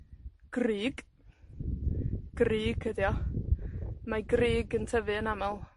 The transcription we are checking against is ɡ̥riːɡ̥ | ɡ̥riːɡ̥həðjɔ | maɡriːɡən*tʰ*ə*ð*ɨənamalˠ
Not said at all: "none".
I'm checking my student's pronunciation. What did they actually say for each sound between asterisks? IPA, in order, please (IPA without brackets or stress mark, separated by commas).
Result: tʰ, v